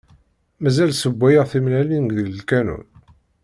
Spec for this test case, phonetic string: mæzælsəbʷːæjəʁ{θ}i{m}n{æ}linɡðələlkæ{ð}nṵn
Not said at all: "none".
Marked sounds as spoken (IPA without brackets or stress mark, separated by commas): θ, m, æ, none